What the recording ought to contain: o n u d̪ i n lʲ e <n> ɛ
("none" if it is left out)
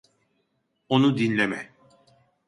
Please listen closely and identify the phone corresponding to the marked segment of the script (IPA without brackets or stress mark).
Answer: m